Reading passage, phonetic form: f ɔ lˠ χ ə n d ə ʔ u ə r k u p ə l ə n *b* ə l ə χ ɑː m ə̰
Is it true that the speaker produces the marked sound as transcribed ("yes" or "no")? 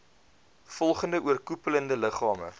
no